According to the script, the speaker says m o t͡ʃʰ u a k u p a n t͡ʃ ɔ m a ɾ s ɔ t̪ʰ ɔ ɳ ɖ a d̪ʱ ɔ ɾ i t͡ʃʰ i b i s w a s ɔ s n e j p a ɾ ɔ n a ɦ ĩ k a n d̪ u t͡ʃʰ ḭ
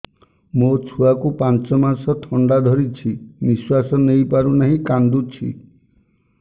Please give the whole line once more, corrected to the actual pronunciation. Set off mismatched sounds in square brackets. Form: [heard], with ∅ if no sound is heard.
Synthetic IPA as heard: m o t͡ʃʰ u a k u p a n t͡ʃ ɔ m a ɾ s ɔ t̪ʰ ɔ ɳ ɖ a d̪ʱ ɔ ɾ i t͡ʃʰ i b i s w a s ɔ [∅] n e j p a ɾ [u] n a ɦ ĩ k a n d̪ u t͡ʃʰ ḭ

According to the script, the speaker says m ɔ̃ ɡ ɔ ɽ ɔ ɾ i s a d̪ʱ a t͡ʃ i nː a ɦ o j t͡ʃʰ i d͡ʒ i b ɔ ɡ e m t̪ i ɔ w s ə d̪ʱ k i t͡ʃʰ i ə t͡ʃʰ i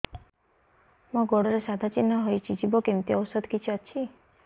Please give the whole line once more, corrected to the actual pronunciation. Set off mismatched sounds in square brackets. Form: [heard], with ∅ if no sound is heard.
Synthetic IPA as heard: m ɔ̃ ɡ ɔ ɽ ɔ ɾ [e] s a d̪ʱ a t͡ʃ i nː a ɦ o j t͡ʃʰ i d͡ʒ i b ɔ [k] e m t̪ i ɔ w s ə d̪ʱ k i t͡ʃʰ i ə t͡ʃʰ i

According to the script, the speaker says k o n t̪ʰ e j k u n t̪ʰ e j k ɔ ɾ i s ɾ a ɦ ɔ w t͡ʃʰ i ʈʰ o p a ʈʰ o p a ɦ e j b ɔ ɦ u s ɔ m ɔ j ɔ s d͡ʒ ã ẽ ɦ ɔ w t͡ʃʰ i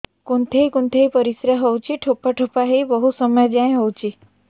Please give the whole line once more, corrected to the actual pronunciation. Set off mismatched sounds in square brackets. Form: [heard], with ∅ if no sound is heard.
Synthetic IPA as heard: k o n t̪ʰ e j k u n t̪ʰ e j [p] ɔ ɾ i s ɾ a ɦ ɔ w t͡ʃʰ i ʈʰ o p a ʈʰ o p a ɦ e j b ɔ ɦ u s ɔ m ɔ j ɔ [∅] d͡ʒ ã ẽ ɦ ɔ w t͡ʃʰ i

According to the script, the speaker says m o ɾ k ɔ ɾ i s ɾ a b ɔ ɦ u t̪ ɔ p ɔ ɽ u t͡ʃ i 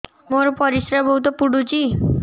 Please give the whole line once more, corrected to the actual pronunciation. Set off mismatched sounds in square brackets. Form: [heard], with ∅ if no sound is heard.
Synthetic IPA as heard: m o ɾ [p] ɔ ɾ i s ɾ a b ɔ ɦ u t̪ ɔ p [u] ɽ u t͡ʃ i

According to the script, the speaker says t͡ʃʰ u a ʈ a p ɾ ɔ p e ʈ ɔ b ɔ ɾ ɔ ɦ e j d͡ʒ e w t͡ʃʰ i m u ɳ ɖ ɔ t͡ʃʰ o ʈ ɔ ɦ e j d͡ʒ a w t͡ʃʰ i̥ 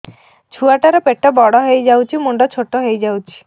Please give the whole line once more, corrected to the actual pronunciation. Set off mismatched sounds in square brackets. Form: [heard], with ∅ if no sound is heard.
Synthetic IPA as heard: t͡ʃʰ u a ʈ a [∅] ɾ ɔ p e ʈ ɔ b ɔ [ɽ] ɔ ɦ e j d͡ʒ [a] w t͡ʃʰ i m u ɳ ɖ ɔ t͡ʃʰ o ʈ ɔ ɦ e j d͡ʒ a w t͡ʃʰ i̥

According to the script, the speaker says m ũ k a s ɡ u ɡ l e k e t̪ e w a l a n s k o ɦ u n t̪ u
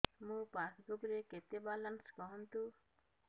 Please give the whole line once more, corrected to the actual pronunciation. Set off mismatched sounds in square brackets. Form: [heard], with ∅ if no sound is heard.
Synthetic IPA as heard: m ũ [p] a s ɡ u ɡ [ɾ] e k e t̪ e [b] a l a n s k [ɔ] ɦ [ɔ] n t̪ u

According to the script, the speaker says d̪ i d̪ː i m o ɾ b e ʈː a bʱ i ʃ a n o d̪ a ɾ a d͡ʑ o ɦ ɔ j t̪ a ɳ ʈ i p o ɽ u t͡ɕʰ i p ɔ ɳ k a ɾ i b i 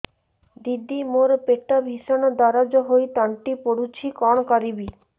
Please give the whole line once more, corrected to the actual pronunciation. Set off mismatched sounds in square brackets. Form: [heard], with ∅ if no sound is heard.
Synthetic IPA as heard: d̪ i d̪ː i m o ɾ [p] e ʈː a bʱ i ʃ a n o d̪ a ɾ a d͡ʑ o ɦ [o] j t̪ a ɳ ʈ i p o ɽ u t͡ɕʰ i [k] ɔ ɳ k a ɾ i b i

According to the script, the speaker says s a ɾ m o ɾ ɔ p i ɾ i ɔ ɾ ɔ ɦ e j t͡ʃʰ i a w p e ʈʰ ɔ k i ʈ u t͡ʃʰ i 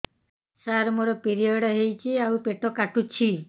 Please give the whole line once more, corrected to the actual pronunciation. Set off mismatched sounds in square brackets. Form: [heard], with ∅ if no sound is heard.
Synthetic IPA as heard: s a ɾ m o ɾ ɔ p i ɾ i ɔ [ɽ] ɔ ɦ e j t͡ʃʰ i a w p e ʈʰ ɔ k [a] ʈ u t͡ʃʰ i

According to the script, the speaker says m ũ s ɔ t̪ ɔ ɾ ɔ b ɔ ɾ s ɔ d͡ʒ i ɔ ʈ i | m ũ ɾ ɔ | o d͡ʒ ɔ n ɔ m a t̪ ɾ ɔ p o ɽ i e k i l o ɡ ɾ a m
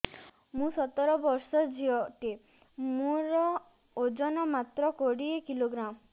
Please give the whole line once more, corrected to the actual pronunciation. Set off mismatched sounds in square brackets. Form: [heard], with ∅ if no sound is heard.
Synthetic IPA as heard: m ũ s ɔ t̪ ɔ ɾ ɔ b ɔ ɾ s ɔ d͡ʒ i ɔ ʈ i | m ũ ɾ ɔ | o d͡ʒ ɔ n ɔ m a t̪ ɾ ɔ [k] o ɽ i e k i l o ɡ ɾ a m

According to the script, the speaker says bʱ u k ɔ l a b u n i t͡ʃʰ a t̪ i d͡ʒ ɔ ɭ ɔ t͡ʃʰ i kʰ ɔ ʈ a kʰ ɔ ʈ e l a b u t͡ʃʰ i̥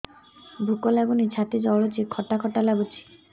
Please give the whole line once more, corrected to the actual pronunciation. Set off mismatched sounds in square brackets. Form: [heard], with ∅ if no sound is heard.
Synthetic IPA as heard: bʱ u k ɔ l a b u n i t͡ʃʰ a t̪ i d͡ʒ ɔ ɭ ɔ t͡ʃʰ i kʰ ɔ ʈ a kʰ ɔ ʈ [a] l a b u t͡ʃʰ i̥

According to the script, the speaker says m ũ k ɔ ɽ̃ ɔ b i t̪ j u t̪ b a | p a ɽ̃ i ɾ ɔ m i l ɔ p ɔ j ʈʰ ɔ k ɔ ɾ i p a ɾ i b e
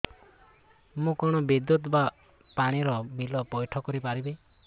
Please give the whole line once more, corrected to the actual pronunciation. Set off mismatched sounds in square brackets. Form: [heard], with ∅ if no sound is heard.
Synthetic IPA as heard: m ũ k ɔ ɽ̃ ɔ b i [d̪] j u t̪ b a | p a ɽ̃ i ɾ ɔ m i l ɔ p ɔ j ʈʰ ɔ k ɔ ɾ i p a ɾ i b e

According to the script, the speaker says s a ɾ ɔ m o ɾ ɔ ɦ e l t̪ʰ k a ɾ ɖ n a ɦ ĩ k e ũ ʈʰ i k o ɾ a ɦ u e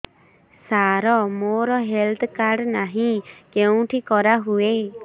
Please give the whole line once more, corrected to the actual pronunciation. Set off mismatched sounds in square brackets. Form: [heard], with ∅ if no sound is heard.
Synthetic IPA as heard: s a ɾ ɔ m o ɾ ɔ ɦ e l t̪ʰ k a ɾ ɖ n a ɦ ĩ k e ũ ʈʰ i k [ɔ] ɾ a ɦ u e

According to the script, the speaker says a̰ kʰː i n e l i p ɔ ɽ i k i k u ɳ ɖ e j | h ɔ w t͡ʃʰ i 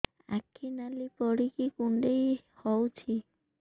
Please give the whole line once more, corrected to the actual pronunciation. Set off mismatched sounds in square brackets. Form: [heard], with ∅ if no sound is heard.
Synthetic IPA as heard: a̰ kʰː i n [a] l i p ɔ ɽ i k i k u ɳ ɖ e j | h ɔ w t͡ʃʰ i

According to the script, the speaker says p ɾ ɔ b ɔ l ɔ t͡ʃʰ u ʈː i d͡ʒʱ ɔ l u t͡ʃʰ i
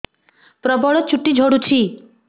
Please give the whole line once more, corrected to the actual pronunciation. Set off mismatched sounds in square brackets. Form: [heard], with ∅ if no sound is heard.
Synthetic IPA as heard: p ɾ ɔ b ɔ [ɭ] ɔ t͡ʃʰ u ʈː i d͡ʒʱ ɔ [ɽ] u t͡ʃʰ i

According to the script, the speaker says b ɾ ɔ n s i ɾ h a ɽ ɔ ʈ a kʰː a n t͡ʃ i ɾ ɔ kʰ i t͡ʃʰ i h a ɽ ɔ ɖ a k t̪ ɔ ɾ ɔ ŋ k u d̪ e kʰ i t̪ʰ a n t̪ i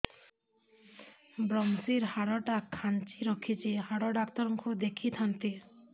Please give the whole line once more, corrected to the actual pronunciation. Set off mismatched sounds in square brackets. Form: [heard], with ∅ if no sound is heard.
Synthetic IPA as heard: b ɾ ɔ [m] s i ɾ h a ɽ ɔ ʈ a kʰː a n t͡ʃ i ɾ ɔ kʰ i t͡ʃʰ i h a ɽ ɔ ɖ a k t̪ ɔ ɾ ɔ ŋ k u d̪ e kʰ i t̪ʰ a n t̪ i

